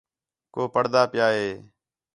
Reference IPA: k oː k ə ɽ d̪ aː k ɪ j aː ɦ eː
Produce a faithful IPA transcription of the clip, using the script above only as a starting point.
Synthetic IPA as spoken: k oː p ə ɽ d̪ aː p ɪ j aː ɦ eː